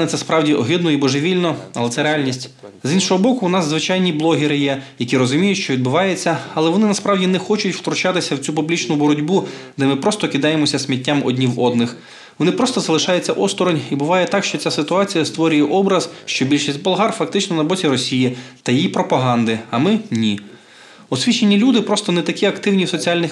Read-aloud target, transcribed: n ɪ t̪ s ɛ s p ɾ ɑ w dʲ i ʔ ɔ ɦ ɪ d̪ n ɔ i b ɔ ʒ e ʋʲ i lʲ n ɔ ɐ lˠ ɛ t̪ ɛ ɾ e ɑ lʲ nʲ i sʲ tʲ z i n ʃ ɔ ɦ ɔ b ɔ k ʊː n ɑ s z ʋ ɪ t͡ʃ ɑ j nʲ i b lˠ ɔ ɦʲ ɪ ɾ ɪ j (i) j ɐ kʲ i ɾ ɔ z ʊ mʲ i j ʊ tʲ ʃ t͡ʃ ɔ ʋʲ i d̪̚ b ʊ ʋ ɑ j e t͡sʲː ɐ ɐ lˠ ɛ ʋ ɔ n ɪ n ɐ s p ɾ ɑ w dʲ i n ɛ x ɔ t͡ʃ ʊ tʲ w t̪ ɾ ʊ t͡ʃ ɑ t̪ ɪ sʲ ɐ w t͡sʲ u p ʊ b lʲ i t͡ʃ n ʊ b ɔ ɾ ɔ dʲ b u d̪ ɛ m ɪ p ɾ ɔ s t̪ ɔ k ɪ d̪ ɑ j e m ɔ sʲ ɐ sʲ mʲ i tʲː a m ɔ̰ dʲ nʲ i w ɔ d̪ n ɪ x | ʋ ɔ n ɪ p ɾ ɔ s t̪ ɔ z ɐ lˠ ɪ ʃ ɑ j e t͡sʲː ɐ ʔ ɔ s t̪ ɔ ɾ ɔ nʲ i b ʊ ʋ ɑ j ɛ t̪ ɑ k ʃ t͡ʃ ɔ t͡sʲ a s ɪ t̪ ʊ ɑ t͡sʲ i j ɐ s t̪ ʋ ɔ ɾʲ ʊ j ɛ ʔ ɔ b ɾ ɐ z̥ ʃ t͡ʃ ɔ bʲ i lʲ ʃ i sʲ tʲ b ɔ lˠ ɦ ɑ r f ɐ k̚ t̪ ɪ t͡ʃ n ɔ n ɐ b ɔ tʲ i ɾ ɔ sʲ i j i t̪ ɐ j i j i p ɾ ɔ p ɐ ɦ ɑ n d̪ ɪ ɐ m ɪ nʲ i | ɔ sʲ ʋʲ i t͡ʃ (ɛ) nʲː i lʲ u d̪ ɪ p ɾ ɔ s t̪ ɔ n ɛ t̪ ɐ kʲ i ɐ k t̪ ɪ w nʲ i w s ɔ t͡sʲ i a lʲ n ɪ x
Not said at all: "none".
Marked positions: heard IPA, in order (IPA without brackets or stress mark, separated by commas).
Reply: ɛ, e